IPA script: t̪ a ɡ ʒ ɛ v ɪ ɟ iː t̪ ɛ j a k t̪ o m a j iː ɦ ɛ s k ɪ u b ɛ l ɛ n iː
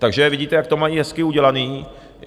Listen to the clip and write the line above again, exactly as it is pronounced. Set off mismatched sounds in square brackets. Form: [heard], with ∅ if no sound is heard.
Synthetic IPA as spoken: t̪ a ɡ ʒ ɛ v ɪ ɟ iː t̪ ɛ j a k t̪ o m a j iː ɦ ɛ s k ɪ u [ɟ] ɛ l [a] n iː